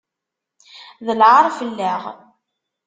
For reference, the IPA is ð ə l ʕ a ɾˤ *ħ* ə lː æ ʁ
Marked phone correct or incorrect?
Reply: incorrect